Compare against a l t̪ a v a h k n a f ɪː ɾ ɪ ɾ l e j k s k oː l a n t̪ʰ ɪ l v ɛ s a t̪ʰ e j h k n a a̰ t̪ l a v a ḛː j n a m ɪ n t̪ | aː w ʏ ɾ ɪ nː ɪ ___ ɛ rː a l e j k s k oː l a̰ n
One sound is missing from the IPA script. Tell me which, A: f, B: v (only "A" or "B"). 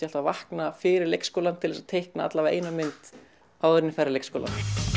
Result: A